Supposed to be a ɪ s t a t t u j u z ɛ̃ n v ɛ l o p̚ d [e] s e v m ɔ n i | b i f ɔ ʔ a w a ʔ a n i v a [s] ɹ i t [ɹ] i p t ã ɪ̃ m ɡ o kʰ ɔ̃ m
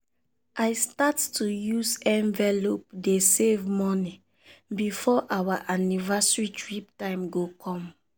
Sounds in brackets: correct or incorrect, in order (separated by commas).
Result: correct, correct, correct